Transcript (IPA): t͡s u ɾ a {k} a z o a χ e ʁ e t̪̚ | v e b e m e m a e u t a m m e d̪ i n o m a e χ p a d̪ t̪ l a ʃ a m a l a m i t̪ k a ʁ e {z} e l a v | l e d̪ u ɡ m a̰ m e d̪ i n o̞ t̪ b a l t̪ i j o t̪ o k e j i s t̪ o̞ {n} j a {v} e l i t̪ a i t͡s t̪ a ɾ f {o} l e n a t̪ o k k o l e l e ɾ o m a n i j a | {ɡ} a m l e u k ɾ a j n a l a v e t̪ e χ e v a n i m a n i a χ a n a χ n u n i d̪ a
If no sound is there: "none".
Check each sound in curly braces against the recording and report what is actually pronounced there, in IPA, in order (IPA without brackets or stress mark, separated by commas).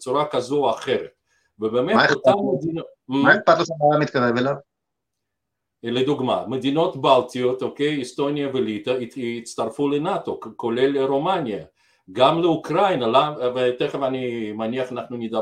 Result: k, v, n, v, u, ɡ